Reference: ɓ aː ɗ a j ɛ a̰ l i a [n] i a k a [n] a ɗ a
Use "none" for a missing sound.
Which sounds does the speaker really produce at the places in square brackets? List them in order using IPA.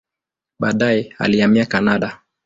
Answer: m, n

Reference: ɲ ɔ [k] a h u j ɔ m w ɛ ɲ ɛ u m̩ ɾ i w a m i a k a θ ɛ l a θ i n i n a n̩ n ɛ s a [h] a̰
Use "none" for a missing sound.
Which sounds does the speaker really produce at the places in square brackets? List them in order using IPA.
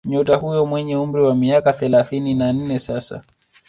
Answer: t, s

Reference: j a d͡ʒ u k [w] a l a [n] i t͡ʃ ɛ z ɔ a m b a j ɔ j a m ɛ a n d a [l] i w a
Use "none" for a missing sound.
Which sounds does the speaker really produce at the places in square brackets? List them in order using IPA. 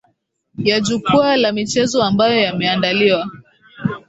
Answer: u, m, l

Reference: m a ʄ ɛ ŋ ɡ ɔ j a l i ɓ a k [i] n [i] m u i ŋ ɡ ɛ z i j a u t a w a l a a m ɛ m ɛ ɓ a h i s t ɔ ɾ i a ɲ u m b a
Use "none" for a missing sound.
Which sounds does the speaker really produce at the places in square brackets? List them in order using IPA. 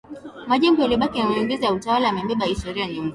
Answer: i, a

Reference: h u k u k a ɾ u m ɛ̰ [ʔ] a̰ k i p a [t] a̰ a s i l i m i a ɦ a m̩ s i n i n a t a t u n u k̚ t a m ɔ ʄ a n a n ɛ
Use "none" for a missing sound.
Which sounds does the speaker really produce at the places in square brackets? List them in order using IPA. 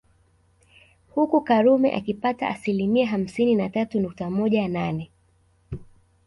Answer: ʔ, t

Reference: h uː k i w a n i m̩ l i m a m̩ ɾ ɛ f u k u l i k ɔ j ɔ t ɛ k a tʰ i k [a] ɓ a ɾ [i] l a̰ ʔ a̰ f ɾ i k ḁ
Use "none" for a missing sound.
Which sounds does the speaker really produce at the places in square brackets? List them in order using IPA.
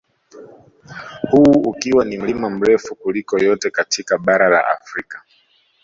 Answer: a, a

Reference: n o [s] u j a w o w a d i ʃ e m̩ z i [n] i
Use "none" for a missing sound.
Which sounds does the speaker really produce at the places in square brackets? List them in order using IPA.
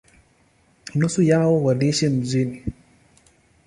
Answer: s, n

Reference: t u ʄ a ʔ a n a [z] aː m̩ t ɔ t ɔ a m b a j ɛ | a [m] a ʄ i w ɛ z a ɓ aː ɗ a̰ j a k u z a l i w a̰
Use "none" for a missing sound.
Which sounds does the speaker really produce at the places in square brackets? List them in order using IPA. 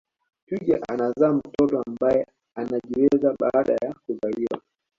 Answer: z, n

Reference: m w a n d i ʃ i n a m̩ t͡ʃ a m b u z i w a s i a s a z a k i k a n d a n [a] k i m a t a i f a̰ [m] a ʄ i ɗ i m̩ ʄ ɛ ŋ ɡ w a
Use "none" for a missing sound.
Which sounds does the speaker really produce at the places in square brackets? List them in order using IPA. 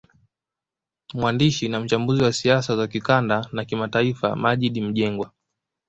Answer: a, m

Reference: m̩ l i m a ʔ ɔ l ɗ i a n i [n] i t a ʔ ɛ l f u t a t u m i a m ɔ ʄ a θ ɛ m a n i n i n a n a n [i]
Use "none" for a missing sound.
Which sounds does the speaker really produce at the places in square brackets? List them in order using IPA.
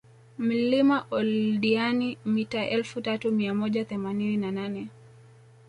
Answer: m, ɛ

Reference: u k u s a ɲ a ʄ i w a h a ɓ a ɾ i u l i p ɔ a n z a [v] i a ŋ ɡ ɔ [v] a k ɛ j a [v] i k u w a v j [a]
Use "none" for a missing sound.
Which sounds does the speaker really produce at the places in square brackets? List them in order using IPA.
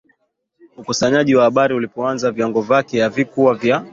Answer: v, v, v, a

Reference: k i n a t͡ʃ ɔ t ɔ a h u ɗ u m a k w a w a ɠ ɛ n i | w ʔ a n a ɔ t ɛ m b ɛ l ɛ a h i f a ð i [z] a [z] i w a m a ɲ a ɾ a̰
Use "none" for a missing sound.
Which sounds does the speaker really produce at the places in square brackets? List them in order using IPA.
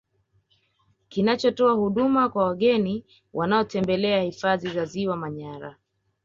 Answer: z, z

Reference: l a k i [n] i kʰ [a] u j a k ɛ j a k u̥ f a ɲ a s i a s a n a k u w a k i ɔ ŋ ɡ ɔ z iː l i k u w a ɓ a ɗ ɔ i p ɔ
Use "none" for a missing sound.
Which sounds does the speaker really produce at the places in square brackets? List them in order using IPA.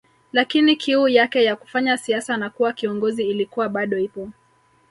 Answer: n, i

